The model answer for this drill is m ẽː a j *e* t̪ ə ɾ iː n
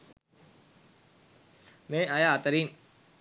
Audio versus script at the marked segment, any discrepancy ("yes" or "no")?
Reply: yes